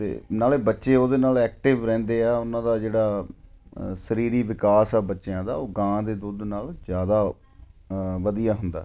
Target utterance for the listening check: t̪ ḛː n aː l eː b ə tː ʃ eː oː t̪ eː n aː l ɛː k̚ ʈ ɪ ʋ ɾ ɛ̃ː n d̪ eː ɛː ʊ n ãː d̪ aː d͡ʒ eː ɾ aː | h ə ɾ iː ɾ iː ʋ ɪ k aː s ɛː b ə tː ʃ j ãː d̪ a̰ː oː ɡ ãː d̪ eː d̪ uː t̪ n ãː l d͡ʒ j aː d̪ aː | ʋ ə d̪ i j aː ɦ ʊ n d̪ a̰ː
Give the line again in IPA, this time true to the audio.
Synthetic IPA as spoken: t̪ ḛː n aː l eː b ə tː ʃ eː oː d̪ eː n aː l ɛː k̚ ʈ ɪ ʋ ɾ ɛ̃ː n d̪ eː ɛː ʊ n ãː d̪ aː d͡ʒ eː ɽ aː | s ə ɾ iː ɾ iː ʋ ɪ k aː s ɛː b ə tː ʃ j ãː d̪ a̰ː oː ɡ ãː d̪ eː d̪ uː d̪ n aː l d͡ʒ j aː d̪ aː | ʋ ə d̪ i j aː ɦ ʊ n d̪ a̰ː

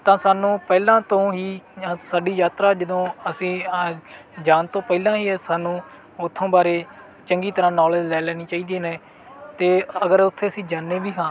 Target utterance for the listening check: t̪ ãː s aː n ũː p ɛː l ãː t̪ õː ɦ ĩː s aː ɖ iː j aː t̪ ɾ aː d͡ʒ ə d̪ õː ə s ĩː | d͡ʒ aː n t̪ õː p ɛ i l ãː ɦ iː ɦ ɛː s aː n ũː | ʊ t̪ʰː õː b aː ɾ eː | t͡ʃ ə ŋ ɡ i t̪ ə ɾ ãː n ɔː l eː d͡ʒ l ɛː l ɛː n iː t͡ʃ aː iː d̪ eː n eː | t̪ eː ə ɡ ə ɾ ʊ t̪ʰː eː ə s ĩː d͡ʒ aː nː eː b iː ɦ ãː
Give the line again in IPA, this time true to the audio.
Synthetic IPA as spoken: t̪ ãː s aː n ũː p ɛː l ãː t̪ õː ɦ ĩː s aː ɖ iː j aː t̪ ɾ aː d͡ʒ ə d̪ õː ə s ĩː | d͡ʒ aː n t̪ õː p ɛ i l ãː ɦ iː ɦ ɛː s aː n ũː | ʊ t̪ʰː õː b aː ɾ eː | t͡ʃ ə ŋ ɡ iː t̪ ə ɾ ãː n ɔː l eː d͡ʒ l ɛː l ɛː n iː t͡ʃ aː iː d̪ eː n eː | t̪ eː ə ɡ ə ɾ ʊ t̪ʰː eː ə s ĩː d͡ʒ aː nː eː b iː ɦ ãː

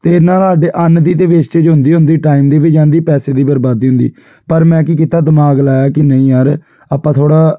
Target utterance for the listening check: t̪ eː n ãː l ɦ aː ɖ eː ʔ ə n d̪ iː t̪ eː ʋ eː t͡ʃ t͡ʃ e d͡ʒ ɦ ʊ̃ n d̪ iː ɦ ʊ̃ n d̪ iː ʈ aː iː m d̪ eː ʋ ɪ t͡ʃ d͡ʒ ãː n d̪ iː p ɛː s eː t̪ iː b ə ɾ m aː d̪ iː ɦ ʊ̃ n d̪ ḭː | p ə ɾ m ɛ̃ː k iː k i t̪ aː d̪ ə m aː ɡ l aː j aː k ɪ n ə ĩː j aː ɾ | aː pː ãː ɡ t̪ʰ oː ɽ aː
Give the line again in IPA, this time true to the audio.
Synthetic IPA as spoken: t̪ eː n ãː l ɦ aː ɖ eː ʔ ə n d̪ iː t̪ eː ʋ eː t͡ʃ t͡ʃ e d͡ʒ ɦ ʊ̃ n d̪ iː ɦ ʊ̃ n d̪ iː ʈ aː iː m d̪ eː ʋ ɪ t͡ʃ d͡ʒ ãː n d̪ iː p ɛː s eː d̪ iː b ə ɾ b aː d̪ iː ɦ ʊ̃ n d̪ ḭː | p ə ɾ m ɛ̃ː k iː k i t̪ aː d̪ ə m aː ɡ l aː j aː k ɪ n ə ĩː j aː ɾ | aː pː ãː t̪ʰ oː ɽ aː

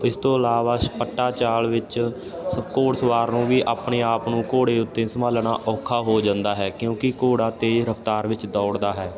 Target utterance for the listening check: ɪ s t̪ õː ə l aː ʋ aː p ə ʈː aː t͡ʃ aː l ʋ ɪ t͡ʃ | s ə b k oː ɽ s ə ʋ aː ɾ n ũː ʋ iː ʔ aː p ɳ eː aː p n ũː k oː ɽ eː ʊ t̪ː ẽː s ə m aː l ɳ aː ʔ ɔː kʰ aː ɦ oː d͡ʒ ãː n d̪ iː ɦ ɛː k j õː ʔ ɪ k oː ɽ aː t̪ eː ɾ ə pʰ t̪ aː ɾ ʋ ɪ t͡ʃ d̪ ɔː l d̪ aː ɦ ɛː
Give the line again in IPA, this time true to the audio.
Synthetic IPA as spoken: ɪ s t̪ õː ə l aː ʋ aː p ə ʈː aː t͡ʃ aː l ʋ ɪ t͡ʃ | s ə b k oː ɽ s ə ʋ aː ɾ n ũː ʋ iː ʔ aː p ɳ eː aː p n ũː k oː ɽ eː ʊ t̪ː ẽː s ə m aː l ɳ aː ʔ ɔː kʰ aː ɦ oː d͡ʒ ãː n d̪ aː ɦ ɛː k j õː k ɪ k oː ɽ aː t̪ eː ɾ ə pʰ t̪ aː ɾ ʋ ɪ t͡ʃ d̪ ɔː ɽ d̪ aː ɦ ɛː

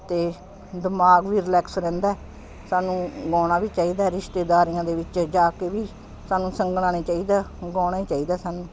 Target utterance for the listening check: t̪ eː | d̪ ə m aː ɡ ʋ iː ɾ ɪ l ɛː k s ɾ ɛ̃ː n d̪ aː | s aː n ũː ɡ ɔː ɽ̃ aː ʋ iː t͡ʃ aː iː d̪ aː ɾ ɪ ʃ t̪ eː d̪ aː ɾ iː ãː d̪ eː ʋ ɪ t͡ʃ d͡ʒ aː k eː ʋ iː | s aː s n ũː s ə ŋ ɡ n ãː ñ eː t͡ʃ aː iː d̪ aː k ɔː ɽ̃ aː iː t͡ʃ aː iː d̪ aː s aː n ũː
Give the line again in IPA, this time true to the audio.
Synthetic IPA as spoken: t̪ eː | d̪ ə m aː ɡ ʋ iː ɾ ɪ l ɛː k s ɾ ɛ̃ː n d̪ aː | s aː n ũː ɡ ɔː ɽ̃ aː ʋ iː t͡ʃ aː iː d̪ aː ɾ ɪ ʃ t̪ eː d̪ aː ɾ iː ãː d̪ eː ʋ ɪ t͡ʃ d͡ʒ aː k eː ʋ iː | s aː n ũː s ə ŋ ɡ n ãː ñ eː t͡ʃ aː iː d̪ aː ɡ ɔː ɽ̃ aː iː t͡ʃ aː iː d̪ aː s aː n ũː

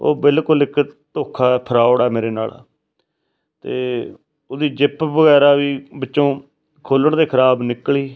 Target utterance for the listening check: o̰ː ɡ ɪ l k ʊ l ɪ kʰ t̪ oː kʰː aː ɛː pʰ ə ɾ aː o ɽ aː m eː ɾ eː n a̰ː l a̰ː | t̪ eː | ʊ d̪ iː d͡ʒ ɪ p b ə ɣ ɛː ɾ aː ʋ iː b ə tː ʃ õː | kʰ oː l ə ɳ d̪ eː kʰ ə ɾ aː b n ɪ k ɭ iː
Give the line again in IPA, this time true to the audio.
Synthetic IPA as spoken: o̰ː b ɪ l k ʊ l ɪ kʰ t̪ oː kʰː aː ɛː pʰ ə ɾ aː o ɽ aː m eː ɾ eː n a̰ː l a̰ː | t̪ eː | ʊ d̪ iː d͡ʒ ɪ p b ə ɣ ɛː ɾ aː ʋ iː b ə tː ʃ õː | kʰ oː l ə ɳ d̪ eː kʰ ə ɾ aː b n ɪ k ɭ iː

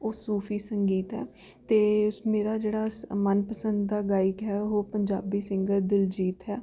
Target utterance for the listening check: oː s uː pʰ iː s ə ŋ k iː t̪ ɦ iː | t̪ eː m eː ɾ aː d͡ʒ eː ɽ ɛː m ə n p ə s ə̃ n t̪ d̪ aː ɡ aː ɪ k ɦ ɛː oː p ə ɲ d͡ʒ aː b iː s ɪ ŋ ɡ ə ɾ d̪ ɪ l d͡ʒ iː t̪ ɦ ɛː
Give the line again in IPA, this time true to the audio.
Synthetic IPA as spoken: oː s uː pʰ iː s ə ŋ ɡ iː t̪ ɦ ɛː | t̪ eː m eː ɾ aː d͡ʒ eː ɽ aː m ə n p ə s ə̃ n d̪ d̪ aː ɡ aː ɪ k ɦ ɛː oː p ə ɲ d͡ʒ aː b iː s ɪ ŋ ɡ ə ɾ d̪ ɪ l d͡ʒ iː t̪ ɦ ɛː

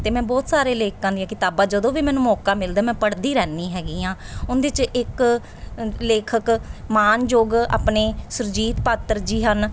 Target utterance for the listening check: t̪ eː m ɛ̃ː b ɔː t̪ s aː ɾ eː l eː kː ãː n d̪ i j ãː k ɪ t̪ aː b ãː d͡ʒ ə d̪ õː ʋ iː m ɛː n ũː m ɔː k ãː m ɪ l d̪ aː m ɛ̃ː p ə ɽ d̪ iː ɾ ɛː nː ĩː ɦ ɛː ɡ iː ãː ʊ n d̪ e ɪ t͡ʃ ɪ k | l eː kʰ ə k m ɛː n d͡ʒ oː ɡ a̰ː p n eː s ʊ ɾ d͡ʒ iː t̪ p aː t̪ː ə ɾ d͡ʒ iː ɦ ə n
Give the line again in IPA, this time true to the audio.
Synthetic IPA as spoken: t̪ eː m ɛ̃ː b ɔː t̪ s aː ɾ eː l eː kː ãː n d̪ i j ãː k ɪ t̪ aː b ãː d͡ʒ ə d̪ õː ʋ iː m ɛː n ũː m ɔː k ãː m ɪ l d̪ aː m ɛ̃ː p ə ɽ d̪ iː ɾ ɛː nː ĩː ɦ ɛː ɡ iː ãː ʊ n d̪ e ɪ t͡ʃ ɪ k | l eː kʰ ə k m aː n d͡ʒ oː ɡ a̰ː p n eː s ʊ ɾ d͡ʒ iː t̪ p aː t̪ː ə ɾ d͡ʒ iː ɦ ə n

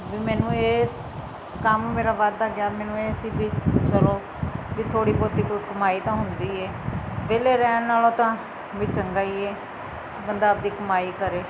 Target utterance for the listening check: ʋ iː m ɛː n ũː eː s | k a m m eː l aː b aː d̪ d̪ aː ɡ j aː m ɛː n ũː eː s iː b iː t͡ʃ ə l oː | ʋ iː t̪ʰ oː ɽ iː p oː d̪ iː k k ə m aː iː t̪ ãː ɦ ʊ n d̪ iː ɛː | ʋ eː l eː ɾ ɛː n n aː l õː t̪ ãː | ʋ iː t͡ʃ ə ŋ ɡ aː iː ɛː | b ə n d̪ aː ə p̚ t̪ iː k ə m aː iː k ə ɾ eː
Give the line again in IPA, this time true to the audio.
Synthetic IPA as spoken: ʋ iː m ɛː n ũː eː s | k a m m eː ɾ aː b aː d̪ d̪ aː ɡ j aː m ɛː n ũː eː s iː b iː t͡ʃ ə l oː | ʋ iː t̪ʰ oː ɽ iː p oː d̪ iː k k ə m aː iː t̪ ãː ɦ ʊ n d̪ iː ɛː | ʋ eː l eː ɾ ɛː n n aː l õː t̪ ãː | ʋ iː t͡ʃ ə ŋ ɡ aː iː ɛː | b ə n d̪ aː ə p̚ d̪ iː k ə m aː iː k ə ɾ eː

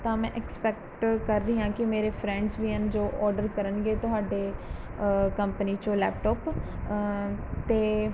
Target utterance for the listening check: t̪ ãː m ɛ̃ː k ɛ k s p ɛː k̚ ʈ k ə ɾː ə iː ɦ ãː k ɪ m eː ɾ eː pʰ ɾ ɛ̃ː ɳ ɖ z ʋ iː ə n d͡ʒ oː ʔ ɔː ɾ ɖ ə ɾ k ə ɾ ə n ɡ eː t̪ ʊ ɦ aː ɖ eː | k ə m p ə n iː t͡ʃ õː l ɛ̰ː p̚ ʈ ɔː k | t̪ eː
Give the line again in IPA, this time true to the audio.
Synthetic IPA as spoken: t̪ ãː m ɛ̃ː ʔ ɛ k s p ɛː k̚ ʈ k ə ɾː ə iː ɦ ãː k ɪ m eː ɾ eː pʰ ɾ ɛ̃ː ɳ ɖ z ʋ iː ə n d͡ʒ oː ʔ ɔː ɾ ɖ ə ɾ k ə ɾ ə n ɡ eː t̪ ʊ ɦ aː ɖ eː | k ə m p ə n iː t͡ʃ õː l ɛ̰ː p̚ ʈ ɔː p | t̪ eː

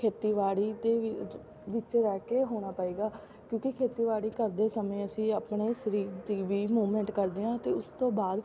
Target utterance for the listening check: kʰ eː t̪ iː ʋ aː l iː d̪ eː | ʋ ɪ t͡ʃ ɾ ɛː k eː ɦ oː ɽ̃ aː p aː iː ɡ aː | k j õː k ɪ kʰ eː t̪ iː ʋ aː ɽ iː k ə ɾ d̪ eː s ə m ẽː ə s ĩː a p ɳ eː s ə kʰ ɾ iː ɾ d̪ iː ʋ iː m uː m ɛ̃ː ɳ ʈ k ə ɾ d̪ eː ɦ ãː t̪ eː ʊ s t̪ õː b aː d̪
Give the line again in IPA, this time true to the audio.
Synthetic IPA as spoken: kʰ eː t̪ iː ʋ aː ɽ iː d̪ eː | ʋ ɪ t͡ʃ ɾ ɛː k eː ɦ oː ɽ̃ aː p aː iː ɡ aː | k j õː k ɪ kʰ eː t̪ iː ʋ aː ɽ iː k ə ɾ d̪ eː s ə m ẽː ə s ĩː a p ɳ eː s ə ɾ iː ɾ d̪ iː ʋ iː m uː m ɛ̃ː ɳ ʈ k ə ɾ d̪ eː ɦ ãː t̪ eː ʊ s t̪ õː b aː d̪

